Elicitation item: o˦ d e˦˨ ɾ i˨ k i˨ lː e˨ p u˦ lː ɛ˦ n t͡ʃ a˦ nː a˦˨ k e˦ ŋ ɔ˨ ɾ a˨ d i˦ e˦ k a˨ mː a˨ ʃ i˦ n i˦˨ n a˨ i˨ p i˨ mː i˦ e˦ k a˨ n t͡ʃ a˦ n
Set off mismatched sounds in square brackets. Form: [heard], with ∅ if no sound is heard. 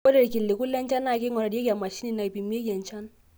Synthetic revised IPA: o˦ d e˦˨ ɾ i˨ k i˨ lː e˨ [k] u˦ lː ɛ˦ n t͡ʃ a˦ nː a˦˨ k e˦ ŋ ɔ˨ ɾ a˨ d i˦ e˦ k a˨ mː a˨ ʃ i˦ n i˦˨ n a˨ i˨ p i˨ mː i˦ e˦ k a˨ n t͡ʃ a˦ n

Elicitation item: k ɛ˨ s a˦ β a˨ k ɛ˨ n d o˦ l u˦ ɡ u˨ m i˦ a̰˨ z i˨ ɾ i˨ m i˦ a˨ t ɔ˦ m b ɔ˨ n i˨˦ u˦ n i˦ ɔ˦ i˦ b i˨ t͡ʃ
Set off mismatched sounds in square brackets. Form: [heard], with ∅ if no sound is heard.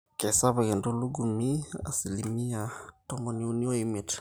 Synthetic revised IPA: k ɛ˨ s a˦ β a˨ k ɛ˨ n d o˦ l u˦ ɡ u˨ m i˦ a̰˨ [s] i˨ [l] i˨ m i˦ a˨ t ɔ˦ m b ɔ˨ n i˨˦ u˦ n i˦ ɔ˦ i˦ [m] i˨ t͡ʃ

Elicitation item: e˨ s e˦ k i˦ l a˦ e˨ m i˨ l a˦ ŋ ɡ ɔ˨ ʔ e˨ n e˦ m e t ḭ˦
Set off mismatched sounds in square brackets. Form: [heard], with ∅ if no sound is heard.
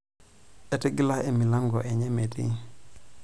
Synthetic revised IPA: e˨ [t] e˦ [ɡ] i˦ l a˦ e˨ m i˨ l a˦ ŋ ɡ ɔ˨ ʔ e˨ [ɲ] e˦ m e t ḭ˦

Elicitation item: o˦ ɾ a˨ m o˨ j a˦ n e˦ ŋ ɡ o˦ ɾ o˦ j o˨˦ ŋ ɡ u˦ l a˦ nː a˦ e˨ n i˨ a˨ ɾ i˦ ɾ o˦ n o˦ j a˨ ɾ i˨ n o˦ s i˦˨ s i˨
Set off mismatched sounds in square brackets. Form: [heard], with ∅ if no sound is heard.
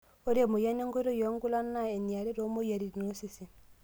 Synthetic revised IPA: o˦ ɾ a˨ m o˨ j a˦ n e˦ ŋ ɡ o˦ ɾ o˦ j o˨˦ ŋ ɡ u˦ l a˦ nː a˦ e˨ n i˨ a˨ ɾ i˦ ɾ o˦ [m] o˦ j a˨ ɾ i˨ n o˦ s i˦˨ s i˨

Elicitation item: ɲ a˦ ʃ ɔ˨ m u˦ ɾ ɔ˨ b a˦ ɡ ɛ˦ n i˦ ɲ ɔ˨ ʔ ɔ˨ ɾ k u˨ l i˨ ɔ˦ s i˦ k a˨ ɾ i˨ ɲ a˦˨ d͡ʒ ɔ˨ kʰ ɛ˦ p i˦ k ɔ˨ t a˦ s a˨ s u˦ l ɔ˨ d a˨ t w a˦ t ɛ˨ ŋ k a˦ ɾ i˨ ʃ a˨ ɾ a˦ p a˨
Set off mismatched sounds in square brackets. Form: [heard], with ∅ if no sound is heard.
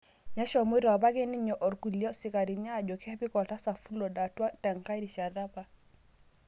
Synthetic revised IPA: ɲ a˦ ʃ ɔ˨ m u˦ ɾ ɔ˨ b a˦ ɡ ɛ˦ n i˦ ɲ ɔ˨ ʔ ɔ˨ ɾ k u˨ l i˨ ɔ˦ s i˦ k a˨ ɾ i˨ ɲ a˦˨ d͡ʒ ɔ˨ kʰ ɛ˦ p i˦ k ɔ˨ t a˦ s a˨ [f] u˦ l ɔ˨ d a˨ t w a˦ t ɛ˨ ŋ k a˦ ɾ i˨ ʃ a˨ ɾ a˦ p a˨

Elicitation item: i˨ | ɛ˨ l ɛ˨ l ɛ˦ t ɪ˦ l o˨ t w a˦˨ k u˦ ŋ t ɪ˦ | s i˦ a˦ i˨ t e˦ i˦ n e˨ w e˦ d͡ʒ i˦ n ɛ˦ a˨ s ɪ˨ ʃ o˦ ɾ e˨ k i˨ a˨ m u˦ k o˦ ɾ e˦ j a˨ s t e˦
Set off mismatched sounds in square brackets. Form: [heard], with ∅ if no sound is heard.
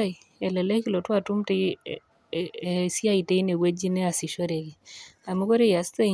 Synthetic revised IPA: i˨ | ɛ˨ l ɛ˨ l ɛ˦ [k] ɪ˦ l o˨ t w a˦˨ [t] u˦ [m] t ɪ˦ | s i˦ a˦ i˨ t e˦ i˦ n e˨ w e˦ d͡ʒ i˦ n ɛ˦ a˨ s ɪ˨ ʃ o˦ ɾ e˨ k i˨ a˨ m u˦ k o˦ ɾ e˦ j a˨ s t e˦

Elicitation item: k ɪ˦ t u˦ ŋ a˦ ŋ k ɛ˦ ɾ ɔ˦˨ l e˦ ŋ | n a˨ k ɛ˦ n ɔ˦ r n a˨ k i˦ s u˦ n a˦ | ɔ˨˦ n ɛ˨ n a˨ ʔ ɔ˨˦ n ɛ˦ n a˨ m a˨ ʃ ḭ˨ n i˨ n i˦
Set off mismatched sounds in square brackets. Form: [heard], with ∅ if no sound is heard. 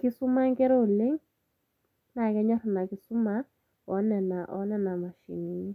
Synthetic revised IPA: k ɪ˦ [s] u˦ [m] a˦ ŋ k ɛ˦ ɾ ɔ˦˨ l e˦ ŋ | n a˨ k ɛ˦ [ɲ] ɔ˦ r n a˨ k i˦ s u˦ [m] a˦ | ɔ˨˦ n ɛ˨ n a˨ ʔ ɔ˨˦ n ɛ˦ n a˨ m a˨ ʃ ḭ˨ n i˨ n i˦

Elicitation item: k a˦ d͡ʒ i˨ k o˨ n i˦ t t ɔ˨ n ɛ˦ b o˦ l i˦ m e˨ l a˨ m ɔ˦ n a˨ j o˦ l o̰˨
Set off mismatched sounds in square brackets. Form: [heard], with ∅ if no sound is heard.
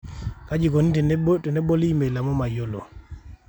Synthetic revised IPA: k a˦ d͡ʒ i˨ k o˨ n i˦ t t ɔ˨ n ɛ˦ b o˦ l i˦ m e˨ l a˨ m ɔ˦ [m] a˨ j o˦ l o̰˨

